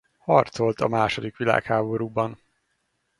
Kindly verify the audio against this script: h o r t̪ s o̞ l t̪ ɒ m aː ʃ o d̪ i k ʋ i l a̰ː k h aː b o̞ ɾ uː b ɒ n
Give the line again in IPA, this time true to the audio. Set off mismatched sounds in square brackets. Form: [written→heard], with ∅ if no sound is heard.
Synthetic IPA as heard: h [o→ɒ] r t̪ s o̞ l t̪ ɒ m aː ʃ o d̪ i k ʋ i l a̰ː k h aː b o̞ ɾ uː b ɒ n